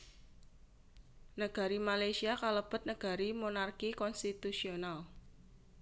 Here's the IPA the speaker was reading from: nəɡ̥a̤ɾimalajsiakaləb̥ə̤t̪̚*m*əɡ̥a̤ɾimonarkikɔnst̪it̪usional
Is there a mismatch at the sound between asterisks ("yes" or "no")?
yes